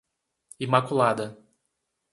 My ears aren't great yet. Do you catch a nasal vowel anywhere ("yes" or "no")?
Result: no